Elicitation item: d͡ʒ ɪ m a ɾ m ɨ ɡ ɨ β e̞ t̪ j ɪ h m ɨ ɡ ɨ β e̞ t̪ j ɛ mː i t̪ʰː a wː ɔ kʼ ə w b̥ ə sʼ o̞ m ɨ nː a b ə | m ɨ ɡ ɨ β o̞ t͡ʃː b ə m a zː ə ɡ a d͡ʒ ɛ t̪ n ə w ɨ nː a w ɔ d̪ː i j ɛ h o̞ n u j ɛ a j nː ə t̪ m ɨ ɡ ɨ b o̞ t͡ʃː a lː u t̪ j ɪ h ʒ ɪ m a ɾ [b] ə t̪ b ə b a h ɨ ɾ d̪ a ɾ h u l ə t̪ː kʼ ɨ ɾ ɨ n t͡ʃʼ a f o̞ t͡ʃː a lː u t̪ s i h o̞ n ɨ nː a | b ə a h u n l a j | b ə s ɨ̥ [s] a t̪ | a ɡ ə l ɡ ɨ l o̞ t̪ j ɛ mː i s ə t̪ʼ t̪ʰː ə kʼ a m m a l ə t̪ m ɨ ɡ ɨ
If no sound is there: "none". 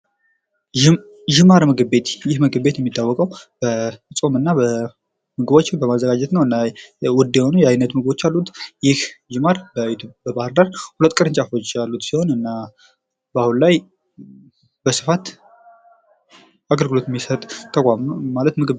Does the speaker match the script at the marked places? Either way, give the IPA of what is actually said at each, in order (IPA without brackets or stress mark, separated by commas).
b, f